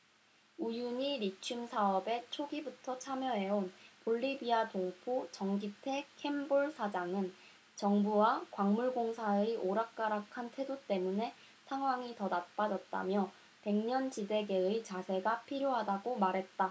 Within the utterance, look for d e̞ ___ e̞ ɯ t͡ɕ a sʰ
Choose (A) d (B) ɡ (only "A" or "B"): B